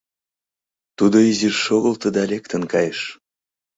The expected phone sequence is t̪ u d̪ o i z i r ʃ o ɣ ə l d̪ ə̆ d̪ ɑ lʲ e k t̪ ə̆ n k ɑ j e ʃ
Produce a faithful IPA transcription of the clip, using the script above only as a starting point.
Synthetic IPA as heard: t̪ u d̪ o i z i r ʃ o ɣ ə l t̪ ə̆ d̪ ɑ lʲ e k t̪ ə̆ n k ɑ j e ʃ